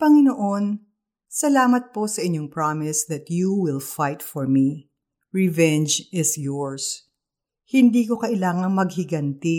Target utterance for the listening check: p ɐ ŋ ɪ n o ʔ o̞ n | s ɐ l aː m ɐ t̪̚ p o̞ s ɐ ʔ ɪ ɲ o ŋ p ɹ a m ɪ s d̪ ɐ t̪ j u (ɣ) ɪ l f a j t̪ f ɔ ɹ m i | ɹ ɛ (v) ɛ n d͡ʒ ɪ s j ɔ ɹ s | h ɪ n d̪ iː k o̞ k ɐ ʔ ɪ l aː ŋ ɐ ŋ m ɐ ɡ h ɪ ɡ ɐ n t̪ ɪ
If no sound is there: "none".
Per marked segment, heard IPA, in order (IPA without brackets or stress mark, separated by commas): w, v